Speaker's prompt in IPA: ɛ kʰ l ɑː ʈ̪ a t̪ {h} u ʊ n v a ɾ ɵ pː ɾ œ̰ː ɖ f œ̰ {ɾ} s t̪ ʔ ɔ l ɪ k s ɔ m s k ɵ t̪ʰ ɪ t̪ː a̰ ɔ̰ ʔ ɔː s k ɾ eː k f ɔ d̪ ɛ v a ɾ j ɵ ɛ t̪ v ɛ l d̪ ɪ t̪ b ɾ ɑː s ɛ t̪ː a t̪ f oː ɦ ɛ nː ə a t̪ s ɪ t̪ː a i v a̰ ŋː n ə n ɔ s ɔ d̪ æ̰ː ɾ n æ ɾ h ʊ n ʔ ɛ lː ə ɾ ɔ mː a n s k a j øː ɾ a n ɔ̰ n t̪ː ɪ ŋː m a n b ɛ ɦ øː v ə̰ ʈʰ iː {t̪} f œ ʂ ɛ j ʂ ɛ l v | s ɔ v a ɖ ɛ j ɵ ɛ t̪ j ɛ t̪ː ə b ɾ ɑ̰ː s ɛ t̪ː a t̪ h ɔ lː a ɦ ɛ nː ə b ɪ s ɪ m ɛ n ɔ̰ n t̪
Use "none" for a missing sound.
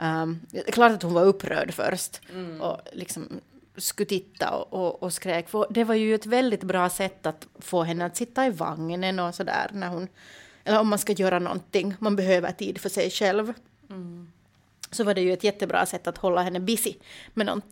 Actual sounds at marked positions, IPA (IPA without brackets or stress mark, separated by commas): h, ɾ, d̪